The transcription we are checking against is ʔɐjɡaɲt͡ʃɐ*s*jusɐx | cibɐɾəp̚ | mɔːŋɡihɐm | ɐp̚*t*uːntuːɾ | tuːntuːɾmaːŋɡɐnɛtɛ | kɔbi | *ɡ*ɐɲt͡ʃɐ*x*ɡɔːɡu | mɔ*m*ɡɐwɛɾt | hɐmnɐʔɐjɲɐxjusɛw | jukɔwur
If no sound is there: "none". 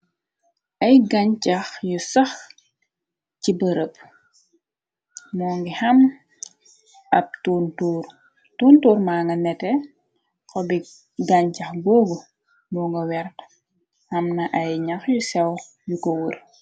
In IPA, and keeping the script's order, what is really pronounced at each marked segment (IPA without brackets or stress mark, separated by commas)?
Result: x, t, ɡ, x, ŋ